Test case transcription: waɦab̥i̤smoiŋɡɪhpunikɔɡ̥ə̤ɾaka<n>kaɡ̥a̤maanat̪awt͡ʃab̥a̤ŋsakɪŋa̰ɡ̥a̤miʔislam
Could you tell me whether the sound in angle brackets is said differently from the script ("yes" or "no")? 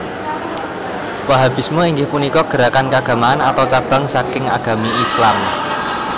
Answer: no